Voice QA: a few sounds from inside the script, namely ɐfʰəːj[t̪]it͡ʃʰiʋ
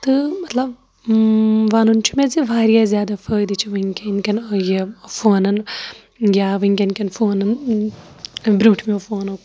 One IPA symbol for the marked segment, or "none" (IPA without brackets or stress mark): d̪